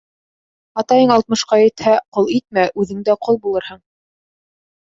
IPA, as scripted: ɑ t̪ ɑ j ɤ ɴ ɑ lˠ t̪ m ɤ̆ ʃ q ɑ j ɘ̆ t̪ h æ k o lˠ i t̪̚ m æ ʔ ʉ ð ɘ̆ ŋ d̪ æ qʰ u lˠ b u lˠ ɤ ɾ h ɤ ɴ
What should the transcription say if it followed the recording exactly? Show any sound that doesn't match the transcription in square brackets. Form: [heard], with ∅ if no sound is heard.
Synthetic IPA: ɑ t̪ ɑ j ɤ ɴ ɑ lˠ t̪ m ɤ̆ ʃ q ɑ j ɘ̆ t̪ h æ [q] o lˠ i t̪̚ m æ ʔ ʉ ð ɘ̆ ŋ d̪ æ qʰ [o] lˠ b u lˠ ɤ ɾ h ɤ ɴ